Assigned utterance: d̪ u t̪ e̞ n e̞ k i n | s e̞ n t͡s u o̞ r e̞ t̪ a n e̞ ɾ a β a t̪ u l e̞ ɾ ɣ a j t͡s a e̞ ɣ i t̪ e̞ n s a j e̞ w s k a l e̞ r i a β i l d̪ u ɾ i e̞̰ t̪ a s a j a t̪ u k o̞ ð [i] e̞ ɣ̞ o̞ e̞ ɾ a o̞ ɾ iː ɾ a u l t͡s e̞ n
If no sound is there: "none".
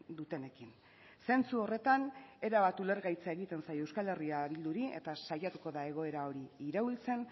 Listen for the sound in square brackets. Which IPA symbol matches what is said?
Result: a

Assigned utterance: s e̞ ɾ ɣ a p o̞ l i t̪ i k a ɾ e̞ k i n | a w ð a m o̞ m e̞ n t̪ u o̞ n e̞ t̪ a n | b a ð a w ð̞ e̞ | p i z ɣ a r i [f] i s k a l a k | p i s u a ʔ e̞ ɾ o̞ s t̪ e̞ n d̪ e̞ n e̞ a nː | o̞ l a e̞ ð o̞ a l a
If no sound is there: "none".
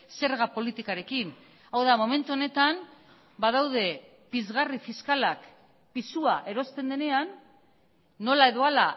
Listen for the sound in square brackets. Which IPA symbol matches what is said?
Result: f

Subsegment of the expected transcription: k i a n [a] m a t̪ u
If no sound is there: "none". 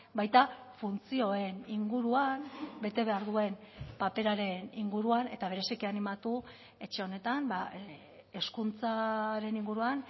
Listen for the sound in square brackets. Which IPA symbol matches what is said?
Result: i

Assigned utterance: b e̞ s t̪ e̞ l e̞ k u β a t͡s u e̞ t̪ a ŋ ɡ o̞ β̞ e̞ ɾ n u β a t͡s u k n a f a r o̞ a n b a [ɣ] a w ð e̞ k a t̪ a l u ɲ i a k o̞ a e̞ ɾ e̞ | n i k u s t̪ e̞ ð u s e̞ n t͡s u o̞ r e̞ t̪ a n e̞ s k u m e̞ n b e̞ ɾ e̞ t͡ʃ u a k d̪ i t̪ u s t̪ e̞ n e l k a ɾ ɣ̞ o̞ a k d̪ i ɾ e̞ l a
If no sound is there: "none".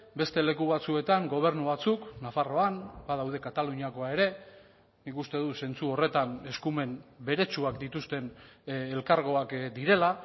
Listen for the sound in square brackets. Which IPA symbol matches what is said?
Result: ð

